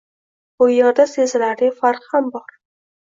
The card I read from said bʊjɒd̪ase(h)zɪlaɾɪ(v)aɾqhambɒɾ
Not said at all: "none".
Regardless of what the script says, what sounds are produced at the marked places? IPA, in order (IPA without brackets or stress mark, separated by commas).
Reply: none, f